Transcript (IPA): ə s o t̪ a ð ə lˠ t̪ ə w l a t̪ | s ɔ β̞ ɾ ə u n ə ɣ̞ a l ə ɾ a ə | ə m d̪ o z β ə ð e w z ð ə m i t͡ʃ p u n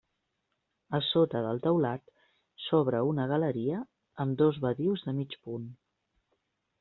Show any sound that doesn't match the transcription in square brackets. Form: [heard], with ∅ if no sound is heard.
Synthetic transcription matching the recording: ə s o t̪ [ə] ð ə lˠ t̪ ə w l a t̪ | s ɔ β̞ ɾ ə u n ə ɣ̞ [ə] l ə ɾ [i] ə | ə m d̪ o z β ə ð [i] w z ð ə m i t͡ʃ p u n